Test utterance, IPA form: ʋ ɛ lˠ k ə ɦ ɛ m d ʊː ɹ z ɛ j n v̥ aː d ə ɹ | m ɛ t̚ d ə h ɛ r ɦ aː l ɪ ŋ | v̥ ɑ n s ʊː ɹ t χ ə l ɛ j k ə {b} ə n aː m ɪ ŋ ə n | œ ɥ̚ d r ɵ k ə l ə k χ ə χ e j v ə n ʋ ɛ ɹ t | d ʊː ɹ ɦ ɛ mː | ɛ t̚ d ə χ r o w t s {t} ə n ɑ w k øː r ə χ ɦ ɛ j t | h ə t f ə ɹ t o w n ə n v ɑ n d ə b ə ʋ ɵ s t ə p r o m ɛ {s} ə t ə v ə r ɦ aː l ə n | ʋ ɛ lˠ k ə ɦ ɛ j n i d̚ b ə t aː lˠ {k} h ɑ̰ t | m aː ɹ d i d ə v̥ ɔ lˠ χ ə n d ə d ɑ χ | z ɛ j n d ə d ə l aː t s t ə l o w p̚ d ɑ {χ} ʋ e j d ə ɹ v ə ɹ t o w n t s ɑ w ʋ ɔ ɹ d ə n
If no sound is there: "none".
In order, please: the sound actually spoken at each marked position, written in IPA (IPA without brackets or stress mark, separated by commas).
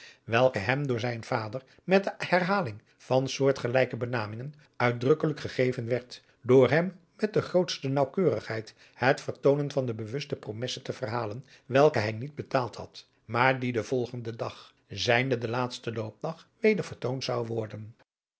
b, t, s, t, χ